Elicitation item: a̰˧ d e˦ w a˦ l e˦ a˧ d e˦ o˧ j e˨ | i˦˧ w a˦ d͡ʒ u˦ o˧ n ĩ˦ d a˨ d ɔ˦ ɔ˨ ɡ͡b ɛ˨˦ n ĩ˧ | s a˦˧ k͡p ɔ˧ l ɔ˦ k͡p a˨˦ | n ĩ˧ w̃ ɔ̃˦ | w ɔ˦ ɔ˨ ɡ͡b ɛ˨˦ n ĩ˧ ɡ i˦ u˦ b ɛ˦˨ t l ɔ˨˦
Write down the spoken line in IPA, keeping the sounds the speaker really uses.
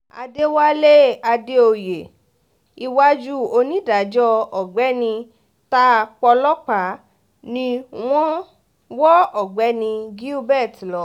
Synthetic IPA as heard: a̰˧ d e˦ w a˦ l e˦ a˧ d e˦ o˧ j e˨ | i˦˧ w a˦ d͡ʒ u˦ o˧ n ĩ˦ d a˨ d͡ʒ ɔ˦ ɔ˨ ɡ͡b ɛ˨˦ n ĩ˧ | t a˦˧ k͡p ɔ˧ l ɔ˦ k͡p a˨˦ | n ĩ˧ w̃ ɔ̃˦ | w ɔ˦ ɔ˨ ɡ͡b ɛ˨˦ n ĩ˧ ɡ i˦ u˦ b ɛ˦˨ t l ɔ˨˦